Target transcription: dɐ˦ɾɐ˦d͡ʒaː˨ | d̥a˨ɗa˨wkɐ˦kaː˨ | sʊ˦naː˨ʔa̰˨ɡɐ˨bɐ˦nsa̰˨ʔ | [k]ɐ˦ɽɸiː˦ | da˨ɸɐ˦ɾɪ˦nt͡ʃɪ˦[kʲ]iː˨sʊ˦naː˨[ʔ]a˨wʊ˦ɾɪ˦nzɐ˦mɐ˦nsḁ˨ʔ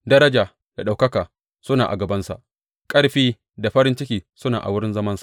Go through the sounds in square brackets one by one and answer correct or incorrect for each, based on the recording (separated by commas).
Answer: incorrect, correct, correct